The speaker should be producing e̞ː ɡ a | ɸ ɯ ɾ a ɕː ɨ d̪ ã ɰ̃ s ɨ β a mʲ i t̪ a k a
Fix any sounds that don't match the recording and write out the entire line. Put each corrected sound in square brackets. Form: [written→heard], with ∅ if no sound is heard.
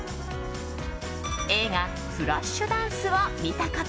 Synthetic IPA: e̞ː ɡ a | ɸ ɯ ɾ a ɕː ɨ d̪ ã ɰ̃ s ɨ β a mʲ i t̪ a k a